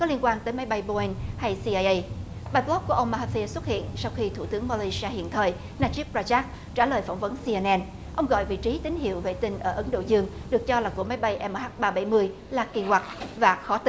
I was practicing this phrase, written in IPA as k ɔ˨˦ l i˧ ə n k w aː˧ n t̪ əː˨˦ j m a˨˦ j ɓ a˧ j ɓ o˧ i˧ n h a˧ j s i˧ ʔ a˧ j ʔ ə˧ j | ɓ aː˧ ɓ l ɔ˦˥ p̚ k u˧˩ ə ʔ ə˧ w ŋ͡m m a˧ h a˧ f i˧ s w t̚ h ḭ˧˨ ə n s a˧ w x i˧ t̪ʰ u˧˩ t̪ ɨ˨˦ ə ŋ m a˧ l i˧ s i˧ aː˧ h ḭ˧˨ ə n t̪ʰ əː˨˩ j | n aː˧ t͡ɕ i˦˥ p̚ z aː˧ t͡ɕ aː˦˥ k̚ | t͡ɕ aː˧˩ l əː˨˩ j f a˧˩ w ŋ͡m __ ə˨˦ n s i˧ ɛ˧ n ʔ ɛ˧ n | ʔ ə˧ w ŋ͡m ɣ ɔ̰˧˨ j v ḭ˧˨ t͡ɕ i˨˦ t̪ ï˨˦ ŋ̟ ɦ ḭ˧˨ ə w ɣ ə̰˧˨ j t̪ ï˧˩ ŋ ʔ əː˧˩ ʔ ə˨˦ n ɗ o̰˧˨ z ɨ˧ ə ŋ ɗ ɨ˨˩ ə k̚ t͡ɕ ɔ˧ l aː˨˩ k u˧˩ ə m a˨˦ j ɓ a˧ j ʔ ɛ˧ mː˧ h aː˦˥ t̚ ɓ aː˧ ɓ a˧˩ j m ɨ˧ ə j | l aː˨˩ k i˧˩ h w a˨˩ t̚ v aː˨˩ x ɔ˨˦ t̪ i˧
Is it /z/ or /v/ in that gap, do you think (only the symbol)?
v